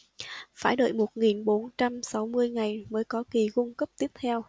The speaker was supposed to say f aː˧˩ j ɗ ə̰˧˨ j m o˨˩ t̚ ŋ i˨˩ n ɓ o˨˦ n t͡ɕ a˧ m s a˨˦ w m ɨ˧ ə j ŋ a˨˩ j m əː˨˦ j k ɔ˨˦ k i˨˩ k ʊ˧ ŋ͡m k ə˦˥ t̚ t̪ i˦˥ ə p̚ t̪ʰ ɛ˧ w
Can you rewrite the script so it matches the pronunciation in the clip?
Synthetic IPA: f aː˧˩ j ɗ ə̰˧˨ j m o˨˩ t̚ ŋ i˨˩ n ɓ o˨˦ n t͡ɕ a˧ m s a˨˦ w m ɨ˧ ə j ŋ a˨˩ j m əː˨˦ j k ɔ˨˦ k i˨˩ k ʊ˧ ŋ͡m k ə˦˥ p̚ t̪ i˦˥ ə p̚ t̪ʰ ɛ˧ w

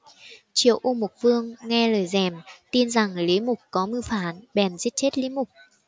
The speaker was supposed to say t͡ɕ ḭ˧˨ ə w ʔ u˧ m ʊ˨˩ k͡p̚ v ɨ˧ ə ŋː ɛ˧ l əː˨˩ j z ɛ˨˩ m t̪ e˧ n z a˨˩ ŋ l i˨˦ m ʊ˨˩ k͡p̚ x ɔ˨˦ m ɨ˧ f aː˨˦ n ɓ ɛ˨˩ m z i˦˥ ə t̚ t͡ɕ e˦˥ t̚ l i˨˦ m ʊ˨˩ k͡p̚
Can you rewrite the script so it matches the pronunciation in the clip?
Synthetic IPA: t͡ɕ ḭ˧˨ ə w ʔ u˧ m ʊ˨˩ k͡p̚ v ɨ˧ ə ŋː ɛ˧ l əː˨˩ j z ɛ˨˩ m t̪ i˧ n z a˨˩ ŋ l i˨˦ m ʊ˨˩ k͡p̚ k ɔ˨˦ m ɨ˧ f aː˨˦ n ɓ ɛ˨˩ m z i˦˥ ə t̚ t͡ɕ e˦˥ t̚ l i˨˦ m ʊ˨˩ k͡p̚

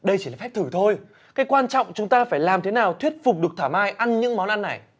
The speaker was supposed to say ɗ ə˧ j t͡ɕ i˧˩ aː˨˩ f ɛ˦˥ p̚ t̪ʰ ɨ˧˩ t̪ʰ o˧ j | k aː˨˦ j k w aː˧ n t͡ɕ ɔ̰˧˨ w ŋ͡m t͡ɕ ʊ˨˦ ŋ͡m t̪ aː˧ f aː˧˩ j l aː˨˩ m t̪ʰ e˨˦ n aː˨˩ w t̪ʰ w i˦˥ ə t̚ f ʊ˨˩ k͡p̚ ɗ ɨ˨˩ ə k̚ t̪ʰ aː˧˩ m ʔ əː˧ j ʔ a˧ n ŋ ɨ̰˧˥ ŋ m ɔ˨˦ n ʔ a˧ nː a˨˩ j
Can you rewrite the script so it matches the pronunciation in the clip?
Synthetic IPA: ɗ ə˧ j t͡ɕ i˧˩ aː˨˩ f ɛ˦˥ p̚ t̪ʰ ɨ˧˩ t̪ʰ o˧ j | k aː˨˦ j k w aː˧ n t͡ɕ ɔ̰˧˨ w ŋ͡m t͡ɕ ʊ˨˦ ŋ͡m t̪ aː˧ f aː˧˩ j l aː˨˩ m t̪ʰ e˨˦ n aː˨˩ w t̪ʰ w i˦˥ ə t̚ f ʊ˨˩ k͡p̚ ɗ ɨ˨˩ ə k̚ t̪ʰ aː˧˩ m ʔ aː˧ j ʔ a˧ n ɲ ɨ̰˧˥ ŋ m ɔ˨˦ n ʔ a˧ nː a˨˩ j

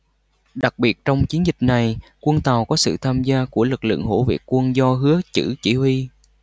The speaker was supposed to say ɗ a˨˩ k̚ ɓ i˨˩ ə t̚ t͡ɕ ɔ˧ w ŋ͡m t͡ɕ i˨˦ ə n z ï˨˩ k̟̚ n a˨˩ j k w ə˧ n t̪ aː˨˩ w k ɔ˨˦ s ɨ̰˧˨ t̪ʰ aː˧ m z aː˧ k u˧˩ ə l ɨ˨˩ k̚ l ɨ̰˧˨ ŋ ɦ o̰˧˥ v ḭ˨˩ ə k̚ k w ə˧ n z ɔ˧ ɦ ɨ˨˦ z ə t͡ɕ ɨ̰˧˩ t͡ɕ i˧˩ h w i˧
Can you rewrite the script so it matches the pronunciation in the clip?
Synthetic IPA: ɗ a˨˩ k̚ ɓ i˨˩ ə t̚ t͡ɕ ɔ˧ w ŋ͡m t͡ɕ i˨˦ ə n z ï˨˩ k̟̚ n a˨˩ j k w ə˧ n t̪ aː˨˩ w k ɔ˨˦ s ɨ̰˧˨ t̪ʰ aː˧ m z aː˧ k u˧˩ ə l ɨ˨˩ k̚ l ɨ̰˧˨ ŋ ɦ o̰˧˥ v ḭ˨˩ ə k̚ k w ə˧ n z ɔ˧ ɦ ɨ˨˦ ə t͡ɕ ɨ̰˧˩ t͡ɕ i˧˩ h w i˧

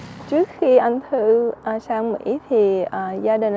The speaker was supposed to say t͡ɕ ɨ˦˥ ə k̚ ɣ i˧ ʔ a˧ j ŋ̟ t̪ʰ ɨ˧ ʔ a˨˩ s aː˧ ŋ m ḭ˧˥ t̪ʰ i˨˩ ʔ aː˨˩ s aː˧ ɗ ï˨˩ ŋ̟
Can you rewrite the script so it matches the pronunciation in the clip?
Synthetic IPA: t͡ɕ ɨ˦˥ ə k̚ x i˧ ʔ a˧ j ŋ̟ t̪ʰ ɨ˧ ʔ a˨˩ s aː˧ ŋ m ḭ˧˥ t̪ʰ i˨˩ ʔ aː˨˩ z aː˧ ɗ ï˨˩ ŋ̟

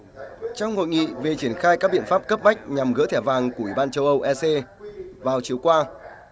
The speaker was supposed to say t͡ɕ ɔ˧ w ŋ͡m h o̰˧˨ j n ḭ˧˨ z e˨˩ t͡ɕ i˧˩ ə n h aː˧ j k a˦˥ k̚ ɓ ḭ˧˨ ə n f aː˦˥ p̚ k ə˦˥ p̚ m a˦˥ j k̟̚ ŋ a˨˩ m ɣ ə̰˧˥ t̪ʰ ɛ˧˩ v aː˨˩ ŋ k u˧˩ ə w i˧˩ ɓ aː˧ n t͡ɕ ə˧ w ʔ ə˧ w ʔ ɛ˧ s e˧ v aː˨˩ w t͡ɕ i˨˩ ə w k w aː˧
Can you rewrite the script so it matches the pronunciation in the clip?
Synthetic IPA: t͡ɕ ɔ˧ w ŋ͡m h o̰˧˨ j ŋ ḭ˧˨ v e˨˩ t͡ɕ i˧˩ ə n x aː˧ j k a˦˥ k̚ ɓ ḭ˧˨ ə n f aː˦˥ p̚ k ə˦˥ p̚ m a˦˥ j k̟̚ ɲ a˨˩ m ɣ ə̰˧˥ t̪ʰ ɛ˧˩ v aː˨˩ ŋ k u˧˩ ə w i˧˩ ɓ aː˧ n t͡ɕ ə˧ w ʔ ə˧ w ʔ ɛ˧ s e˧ v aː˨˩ w t͡ɕ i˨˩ ə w k w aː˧

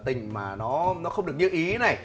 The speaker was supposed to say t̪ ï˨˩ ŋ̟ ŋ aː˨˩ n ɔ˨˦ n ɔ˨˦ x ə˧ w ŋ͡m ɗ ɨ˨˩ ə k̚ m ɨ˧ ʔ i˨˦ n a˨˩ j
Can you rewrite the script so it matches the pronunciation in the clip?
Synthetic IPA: t̪ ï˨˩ ŋ̟ m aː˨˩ n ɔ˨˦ n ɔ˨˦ x ə˧ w ŋ͡m ɗ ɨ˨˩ ə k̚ ɲ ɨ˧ ʔ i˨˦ n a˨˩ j

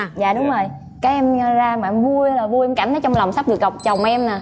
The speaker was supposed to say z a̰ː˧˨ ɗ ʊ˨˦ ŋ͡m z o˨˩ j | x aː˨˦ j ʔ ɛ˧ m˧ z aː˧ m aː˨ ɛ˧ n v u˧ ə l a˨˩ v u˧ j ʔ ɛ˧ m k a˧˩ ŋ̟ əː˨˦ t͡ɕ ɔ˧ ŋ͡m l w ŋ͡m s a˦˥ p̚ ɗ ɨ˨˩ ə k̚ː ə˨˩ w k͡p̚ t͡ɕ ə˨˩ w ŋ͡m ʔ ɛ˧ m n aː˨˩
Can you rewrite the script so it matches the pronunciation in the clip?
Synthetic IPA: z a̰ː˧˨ ɗ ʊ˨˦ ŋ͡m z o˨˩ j | k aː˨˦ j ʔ ɛ˧ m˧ z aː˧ m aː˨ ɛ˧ m v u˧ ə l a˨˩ v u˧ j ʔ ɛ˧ m k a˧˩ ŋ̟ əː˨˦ t͡ɕ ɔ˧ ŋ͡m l w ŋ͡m s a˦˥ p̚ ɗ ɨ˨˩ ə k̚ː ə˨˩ w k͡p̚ t͡ɕ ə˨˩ w ŋ͡m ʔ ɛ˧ m n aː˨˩

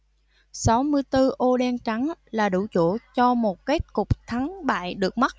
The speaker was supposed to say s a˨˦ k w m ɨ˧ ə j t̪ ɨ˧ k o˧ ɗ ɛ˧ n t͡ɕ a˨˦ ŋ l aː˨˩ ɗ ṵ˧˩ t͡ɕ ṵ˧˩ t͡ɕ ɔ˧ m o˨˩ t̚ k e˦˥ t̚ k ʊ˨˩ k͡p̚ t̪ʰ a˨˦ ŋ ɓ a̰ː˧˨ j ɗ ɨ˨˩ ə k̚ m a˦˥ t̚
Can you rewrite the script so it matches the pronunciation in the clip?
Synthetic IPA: s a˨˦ w m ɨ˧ ə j t̪ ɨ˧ ʔ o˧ ɗ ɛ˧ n t͡ɕ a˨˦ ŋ l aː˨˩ ɗ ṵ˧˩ t͡ɕ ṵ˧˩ t͡ɕ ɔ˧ m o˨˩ t̚ k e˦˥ t̚ k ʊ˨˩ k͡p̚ t̪ʰ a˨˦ ŋ ɓ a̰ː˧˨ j ɗ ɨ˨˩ ə k̚ m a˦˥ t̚

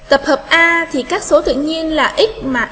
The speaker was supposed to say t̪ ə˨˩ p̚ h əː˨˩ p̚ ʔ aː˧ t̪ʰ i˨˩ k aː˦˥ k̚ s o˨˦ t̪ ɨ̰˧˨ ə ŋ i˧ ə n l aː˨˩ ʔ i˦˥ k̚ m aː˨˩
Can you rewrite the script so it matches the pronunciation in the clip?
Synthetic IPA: t̪ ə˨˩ p̚ h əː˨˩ p̚ ʔ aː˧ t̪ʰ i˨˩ k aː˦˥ k̚ s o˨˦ t̪ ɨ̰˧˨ ə ɲ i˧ ə n l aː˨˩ ʔ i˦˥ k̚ m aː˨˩

